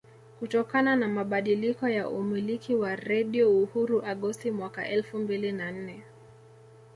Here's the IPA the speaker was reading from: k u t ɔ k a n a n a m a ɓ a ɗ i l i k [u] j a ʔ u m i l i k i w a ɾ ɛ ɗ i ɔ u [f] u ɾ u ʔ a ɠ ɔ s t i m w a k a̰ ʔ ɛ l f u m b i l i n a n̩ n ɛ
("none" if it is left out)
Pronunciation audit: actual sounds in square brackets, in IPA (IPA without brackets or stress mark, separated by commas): ɔ, h